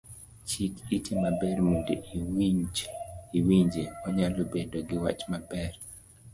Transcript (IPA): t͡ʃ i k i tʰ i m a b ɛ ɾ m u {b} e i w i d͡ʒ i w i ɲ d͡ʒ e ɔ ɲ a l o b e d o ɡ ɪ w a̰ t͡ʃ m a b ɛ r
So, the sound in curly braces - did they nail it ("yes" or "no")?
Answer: no